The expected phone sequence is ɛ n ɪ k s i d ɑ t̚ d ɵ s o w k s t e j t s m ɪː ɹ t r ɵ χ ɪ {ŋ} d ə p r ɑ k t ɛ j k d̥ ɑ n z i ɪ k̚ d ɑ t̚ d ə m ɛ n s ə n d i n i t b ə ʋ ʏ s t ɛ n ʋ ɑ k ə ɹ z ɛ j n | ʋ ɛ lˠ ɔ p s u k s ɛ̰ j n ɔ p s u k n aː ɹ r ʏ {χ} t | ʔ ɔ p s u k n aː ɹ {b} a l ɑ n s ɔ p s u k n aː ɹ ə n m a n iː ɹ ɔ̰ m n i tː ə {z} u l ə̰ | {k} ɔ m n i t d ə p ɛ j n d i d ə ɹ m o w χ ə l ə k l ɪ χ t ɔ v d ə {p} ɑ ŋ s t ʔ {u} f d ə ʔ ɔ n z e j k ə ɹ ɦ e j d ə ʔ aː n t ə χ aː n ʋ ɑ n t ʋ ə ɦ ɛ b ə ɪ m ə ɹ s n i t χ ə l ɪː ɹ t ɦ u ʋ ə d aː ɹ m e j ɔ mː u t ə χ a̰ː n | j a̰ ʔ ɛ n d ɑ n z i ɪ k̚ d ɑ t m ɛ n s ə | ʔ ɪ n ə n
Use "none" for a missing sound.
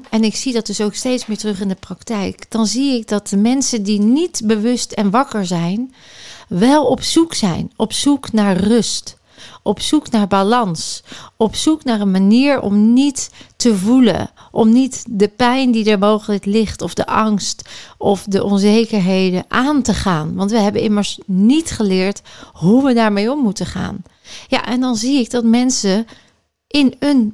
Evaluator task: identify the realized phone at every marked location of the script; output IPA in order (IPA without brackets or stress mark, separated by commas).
n, s, b, v, ʔ, ʔ, ɔ